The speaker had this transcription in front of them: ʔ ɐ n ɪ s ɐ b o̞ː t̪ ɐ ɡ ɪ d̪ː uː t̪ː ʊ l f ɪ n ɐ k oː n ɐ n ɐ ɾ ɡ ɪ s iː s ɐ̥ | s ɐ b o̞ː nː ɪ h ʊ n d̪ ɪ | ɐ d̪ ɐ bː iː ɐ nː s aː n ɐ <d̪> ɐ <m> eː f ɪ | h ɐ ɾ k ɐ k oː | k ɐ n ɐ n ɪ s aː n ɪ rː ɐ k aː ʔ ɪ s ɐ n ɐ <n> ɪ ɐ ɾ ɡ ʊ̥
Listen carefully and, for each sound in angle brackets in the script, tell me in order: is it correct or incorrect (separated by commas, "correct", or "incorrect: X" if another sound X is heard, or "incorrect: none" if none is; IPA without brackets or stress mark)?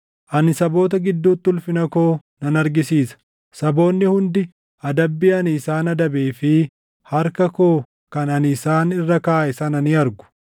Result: correct, incorrect: b, correct